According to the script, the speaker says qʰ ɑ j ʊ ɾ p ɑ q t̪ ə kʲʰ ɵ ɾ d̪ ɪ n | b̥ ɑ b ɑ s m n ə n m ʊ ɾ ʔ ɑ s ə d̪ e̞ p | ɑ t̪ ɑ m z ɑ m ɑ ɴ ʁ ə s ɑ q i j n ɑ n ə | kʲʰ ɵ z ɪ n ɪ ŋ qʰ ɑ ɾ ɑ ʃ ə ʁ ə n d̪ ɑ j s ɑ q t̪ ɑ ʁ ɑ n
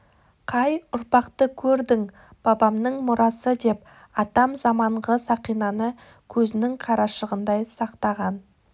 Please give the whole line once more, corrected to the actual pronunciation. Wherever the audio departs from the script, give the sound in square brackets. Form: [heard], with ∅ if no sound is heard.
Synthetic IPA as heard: qʰ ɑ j ʊ ɾ p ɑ q t̪ ə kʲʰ ɵ ɾ d̪ ɪ [ŋ] | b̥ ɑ b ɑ [∅] m n ə [ɴ] m ʊ ɾ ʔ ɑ s ə d̪ e̞ p | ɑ t̪ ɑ m z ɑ m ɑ ɴ ʁ ə s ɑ q i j n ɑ n ə | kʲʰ ɵ z ɪ n ɪ ŋ qʰ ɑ ɾ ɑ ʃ ə ʁ ə n d̪ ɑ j s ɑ q t̪ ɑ ʁ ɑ n